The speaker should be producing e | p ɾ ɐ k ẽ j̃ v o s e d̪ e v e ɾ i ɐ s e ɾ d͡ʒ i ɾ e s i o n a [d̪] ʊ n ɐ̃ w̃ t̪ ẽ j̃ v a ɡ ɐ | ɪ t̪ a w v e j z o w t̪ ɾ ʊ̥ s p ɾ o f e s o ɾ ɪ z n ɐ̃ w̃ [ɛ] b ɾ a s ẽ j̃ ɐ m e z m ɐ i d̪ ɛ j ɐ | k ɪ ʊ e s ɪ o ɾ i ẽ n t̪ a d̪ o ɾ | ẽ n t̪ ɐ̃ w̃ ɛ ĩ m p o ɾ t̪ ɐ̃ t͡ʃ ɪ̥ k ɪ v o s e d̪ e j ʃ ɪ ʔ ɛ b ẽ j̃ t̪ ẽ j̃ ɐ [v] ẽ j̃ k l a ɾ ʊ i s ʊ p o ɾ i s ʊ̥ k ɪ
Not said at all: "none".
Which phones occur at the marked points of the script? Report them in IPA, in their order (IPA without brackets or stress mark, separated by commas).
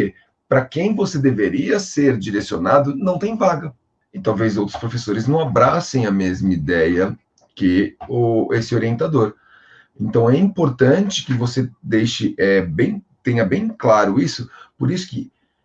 d̪, a, b